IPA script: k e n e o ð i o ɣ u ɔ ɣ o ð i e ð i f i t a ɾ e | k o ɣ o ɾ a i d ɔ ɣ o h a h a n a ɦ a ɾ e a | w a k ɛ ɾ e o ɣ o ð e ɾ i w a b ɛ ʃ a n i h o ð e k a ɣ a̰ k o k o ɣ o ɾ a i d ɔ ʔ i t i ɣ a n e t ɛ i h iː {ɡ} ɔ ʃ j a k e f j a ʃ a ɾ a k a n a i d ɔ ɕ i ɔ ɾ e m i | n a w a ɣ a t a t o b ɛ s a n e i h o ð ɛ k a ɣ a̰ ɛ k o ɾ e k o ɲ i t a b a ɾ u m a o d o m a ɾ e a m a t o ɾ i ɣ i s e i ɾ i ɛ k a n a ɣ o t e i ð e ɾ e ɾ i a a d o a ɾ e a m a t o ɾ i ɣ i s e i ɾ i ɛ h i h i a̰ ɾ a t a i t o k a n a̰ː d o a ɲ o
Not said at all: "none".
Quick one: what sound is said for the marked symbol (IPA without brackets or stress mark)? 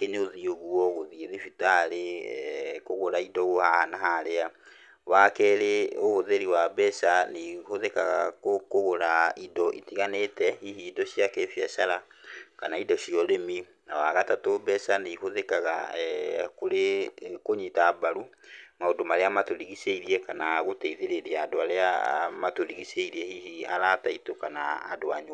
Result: d